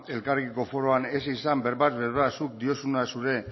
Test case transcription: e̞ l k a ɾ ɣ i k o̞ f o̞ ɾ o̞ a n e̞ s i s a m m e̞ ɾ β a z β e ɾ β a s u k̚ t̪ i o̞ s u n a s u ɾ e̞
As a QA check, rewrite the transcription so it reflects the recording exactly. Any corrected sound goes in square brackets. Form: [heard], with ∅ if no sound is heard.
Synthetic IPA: e̞ l k a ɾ ɣ i k o̞ f o̞ ɾ o̞ a n e̞ s i s a m [b] e̞ ɾ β a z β e ɾ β a s u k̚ [d̪] i o̞ s u n a s u ɾ e̞